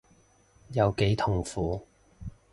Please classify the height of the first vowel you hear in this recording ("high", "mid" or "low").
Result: low